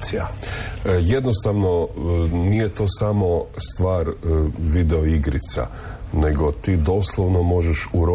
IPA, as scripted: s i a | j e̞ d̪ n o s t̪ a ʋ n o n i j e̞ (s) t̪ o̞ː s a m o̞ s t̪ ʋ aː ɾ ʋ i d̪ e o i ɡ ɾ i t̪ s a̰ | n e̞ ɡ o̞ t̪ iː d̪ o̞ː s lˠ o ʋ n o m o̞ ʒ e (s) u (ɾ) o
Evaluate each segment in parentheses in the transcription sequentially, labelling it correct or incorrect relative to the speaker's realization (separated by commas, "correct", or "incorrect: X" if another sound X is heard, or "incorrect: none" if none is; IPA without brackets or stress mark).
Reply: incorrect: none, incorrect: ʃ, correct